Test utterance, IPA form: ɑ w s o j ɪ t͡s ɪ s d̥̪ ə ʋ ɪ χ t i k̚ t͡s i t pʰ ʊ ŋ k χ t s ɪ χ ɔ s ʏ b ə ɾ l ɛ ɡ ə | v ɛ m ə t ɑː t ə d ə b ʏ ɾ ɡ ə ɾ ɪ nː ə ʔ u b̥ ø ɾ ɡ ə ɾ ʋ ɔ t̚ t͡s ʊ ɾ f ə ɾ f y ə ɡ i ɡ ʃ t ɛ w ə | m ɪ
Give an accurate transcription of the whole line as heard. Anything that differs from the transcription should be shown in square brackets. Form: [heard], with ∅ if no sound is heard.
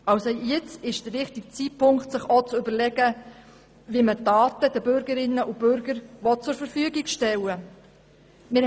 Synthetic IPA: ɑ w s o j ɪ t͡s ɪ [ʃ] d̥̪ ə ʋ ɪ χ t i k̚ t͡s i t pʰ ʊ ŋ k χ t s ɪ χ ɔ [t͡s] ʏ b ə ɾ l ɛ ɡ ə | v [i] m ə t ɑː t ə d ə b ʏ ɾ ɡ ə ɾ ɪ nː ə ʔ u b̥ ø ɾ ɡ ə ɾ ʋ ɔ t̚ t͡s ʊ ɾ f ə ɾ f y ə ɡ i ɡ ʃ t ɛ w ə | m ɪ

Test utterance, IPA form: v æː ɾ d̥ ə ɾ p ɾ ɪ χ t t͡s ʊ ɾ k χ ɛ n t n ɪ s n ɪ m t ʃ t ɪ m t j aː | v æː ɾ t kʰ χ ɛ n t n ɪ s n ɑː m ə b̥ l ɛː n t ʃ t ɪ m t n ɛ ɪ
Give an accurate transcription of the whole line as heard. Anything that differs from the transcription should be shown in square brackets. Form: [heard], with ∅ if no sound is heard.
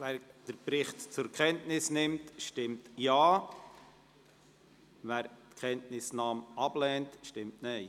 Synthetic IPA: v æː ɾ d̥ ə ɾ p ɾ ɪ χ t t͡s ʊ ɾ k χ ɛ n t n ɪ s n ɪ m t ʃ t ɪ m t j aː | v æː ɾ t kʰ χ ɛ n t n ɪ s n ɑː m [ɑ] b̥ l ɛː n t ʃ t ɪ m t n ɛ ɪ

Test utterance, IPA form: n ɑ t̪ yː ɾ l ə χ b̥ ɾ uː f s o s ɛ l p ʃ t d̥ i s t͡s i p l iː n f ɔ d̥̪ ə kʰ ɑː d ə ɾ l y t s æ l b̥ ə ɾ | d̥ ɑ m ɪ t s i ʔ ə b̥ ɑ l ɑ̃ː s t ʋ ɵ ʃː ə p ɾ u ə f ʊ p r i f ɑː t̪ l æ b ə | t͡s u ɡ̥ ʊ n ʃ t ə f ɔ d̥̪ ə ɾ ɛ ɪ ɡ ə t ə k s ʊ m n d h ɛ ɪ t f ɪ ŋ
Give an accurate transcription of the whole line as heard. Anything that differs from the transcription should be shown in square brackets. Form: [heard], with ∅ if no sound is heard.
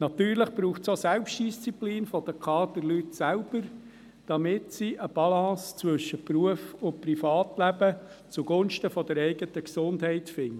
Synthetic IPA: n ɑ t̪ yː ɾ l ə χ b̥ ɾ uː [χ] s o s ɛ l p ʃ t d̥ i s t͡s i p l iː n f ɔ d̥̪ ə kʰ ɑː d ə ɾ l y t s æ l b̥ ə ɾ | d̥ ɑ m ɪ t s i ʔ ə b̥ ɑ l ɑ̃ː s [t͡s] ʋ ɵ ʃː ə p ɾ u ə f ʊ p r i f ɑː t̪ l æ b ə | t͡s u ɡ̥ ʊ n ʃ t ə f ɔ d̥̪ ə ɾ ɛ ɪ ɡ ə t ə k s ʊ [∅] n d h ɛ ɪ t f ɪ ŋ

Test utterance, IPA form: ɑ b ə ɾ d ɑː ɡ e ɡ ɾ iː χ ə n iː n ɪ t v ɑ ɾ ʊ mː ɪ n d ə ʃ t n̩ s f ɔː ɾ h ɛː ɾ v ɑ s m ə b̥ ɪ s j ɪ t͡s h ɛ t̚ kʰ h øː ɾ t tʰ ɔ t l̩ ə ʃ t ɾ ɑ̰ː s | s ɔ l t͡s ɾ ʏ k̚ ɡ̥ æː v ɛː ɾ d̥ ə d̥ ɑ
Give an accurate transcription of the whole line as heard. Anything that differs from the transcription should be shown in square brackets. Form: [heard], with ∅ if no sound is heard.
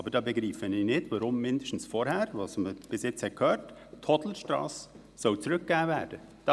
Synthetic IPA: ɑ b ə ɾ d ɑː [b] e ɡ ɾ iː [f] ə n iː n ɪ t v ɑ ɾ ʊ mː ɪ n d ə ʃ t n̩ s f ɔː ɾ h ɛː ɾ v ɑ s m ə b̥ ɪ s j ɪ t͡s h ɛ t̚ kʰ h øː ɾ t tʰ ɔ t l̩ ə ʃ t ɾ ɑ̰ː s | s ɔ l t͡s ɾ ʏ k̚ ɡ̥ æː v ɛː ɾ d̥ ə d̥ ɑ

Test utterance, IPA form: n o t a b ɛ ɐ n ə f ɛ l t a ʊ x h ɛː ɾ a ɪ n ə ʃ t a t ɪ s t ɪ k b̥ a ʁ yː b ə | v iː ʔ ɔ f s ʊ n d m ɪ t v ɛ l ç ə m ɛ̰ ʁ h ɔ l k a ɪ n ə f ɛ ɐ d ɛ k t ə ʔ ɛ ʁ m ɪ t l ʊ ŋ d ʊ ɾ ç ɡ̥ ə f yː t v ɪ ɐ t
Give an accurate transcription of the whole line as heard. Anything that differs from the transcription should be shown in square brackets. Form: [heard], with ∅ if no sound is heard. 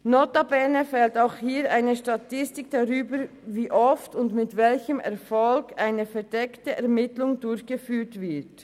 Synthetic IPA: n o t a b ɛ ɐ n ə f ɛ l t a ʊ x h [iː] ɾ a ɪ n ə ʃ t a t ɪ s t ɪ k [d̥] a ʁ yː b ə | v iː ʔ ɔ f [t] ʊ n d m ɪ t v ɛ l ç ə m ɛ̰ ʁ [f] ɔ l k a ɪ n ə f ɛ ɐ d ɛ k t ə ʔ ɛ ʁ m ɪ t l ʊ ŋ d ʊ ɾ ç ɡ̥ ə f yː t v ɪ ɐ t

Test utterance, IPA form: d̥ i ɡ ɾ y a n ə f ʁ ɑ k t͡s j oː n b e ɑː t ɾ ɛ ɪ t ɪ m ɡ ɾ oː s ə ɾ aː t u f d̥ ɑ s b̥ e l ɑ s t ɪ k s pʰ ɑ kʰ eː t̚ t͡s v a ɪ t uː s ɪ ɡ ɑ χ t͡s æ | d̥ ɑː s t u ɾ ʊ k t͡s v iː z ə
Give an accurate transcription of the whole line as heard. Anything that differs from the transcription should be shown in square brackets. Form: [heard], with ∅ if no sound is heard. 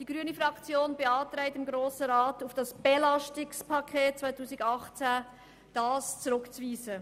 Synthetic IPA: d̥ i ɡ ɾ y [ə] n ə f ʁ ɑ k t͡s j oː n b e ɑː t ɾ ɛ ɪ t ɪ m ɡ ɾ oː s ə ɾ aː t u f d̥ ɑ s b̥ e l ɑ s t ɪ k s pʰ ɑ kʰ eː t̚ t͡s v a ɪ t uː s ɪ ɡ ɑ χ t͡s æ | d̥ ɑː s [t͡s] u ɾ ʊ k t͡s v iː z ə

